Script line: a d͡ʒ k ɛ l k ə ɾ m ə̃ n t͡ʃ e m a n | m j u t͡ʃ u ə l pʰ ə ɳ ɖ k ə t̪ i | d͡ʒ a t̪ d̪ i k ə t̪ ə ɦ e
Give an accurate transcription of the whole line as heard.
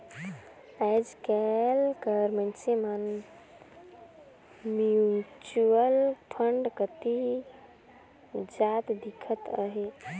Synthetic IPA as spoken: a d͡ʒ k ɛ l k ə ɾ m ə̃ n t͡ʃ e m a n | m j u t͡ʃ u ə l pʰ ə ɳ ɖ k ə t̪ i | d͡ʒ a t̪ d̪ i kʰ ə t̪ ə ɦ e